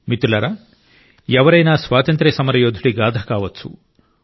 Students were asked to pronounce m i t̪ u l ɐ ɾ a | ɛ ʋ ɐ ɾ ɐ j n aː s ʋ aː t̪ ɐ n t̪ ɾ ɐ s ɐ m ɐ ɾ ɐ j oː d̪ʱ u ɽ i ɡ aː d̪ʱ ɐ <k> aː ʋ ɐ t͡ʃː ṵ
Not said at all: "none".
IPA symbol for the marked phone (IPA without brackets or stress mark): k